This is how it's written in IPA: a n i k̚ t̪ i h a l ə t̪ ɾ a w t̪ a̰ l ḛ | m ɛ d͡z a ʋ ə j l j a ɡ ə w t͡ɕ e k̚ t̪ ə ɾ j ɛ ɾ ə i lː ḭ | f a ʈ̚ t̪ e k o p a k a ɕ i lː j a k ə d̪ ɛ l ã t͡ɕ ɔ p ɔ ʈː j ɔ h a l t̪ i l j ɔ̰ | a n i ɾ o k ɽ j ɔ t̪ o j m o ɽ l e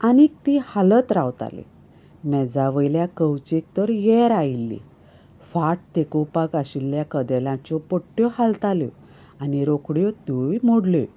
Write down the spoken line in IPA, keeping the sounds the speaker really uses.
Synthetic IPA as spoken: a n i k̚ t̪ i h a l ə t̪ ɾ a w t̪ a̰ l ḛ | m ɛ d͡z a ʋ ə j l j a k ə w t͡ɕ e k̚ t̪ ə ɾ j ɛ ɾ a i lː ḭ | f a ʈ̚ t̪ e k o p a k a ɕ i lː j a k ə d̪ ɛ l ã t͡ɕ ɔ p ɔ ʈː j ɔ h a l t̪ a l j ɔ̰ | a n i ɾ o k ɽ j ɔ t̪ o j m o ɽ l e